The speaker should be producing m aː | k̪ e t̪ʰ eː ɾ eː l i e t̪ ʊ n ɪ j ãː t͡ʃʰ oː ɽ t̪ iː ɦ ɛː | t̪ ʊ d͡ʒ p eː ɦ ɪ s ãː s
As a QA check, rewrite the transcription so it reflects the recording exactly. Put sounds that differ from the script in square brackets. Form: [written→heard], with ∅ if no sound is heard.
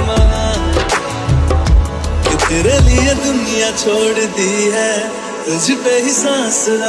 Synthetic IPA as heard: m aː | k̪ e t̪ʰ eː ɾ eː l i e [t̪→d̪] ʊ n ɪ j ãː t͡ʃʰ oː ɽ [t̪→d̪] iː ɦ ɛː | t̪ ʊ d͡ʒ p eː ɦ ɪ s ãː s